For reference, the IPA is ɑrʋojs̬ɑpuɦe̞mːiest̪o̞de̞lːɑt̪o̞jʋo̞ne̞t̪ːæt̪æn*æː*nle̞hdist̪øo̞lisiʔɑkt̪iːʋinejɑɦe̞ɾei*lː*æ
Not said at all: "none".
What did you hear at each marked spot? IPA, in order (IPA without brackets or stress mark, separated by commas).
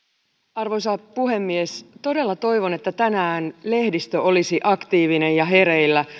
æː, lː